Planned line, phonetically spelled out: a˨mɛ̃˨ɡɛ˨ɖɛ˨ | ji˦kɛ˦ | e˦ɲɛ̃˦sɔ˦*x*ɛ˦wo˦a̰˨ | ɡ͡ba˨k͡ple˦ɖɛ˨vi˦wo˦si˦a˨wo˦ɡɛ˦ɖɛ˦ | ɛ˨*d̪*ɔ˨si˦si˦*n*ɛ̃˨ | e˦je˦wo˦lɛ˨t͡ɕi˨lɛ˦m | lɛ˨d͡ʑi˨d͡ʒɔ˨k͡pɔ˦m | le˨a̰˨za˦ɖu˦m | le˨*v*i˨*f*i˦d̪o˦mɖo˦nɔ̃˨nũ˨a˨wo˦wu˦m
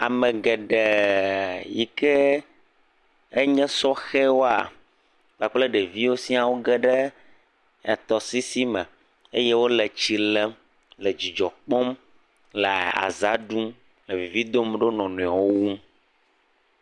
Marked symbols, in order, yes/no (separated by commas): yes, no, no, yes, no